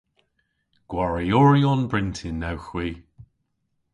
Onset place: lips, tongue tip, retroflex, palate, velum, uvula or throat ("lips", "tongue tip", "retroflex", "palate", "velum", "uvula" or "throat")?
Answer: velum